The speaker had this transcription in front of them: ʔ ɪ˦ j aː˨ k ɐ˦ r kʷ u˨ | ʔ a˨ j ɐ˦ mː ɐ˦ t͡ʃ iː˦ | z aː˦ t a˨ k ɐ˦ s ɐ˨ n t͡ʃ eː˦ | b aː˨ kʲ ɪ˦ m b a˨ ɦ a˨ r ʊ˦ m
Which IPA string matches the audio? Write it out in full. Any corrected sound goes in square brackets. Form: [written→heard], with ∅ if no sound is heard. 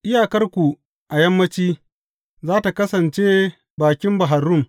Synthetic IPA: ʔ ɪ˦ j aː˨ k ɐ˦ r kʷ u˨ | ʔ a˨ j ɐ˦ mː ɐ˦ t͡ʃ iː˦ | z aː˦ t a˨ k ɐ˦ s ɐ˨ n t͡ʃ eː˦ | b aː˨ kʲ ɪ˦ m b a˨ ɦ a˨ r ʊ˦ m